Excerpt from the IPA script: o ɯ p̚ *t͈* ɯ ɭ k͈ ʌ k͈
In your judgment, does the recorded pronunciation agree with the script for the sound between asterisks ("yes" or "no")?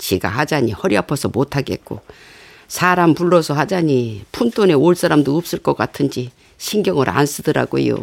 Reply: no